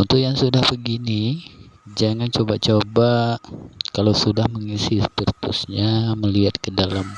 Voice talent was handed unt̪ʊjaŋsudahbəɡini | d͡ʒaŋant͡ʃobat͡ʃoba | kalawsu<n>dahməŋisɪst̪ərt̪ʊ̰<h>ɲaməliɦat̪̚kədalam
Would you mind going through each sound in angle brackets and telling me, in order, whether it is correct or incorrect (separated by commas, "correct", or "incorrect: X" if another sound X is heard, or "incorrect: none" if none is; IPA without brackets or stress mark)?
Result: incorrect: none, incorrect: s